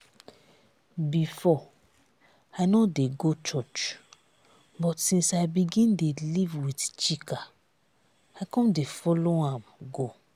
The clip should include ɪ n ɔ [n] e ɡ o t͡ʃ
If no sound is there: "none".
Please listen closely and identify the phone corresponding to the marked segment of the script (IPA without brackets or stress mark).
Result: d